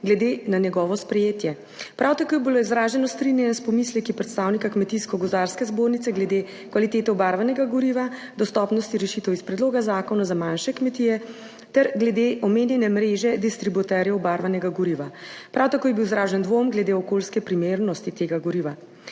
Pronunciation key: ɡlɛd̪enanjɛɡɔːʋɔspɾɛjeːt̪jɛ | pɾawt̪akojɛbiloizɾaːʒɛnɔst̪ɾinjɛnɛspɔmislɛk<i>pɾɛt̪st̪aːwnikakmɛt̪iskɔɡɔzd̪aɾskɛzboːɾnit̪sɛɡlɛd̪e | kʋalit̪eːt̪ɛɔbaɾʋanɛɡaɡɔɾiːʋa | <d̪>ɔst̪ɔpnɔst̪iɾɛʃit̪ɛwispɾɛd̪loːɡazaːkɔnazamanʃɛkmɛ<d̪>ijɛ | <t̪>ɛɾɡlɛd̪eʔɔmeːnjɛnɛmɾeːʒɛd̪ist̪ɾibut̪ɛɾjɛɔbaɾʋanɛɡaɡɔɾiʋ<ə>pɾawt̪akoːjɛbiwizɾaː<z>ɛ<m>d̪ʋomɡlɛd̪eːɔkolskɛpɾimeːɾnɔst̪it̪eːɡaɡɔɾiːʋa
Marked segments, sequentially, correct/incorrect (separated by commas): correct, correct, incorrect, correct, incorrect, incorrect, incorrect